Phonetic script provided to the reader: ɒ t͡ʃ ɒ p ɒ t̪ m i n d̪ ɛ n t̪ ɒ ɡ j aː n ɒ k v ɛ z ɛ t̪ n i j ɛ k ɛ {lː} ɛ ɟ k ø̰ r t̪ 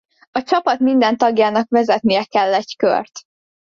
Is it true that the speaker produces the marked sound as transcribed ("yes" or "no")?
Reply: yes